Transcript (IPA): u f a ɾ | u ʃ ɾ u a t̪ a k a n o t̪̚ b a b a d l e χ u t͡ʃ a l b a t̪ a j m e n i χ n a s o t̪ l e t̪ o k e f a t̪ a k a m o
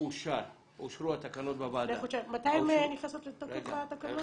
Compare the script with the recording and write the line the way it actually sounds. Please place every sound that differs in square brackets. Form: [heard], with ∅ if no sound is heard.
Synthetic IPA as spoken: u [ʃ] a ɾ | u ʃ ɾ u a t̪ a k a n o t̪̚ b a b a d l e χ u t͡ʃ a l [m] a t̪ a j m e n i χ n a s o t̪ l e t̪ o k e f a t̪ a k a [n] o